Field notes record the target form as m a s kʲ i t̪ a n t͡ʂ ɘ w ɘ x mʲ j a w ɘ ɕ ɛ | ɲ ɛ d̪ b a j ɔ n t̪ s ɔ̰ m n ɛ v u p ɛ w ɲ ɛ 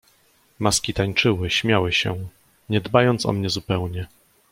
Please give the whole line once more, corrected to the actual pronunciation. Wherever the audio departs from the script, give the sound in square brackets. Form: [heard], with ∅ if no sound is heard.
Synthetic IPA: m a s kʲ i t̪ a [ɲ] t͡ʂ ɘ w ɘ [ɕ] mʲ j a w ɘ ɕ ɛ | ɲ ɛ d̪ b a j ɔ n t̪ s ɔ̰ m [ɲ] ɛ [z] u p ɛ w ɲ ɛ